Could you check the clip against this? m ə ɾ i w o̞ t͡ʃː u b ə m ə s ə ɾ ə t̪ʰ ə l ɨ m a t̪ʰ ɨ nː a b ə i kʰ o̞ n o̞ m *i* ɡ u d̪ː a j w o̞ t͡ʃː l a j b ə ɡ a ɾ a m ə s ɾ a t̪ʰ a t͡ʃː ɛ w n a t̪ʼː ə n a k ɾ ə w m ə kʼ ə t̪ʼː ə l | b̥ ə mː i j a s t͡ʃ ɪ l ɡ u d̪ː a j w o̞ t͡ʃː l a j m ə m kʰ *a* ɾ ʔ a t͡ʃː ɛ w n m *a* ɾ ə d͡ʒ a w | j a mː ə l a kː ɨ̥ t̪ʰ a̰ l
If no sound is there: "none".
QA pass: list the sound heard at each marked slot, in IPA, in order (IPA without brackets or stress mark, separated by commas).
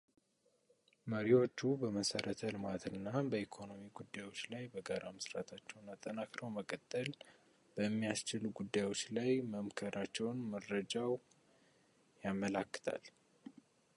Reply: i, ə, ə